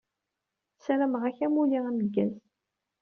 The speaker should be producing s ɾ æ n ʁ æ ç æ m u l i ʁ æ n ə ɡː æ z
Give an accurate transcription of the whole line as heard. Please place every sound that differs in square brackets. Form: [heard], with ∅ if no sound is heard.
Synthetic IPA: s ɾ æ [m] ʁ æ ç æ m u l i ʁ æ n ə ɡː æ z